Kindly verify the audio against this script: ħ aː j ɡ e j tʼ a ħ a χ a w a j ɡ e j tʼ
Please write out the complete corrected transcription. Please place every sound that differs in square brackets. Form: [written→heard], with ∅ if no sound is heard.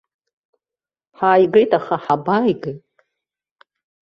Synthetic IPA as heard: ħ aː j ɡ e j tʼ a [ħ→χ] a [χ→ħ] a [w→b] a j ɡ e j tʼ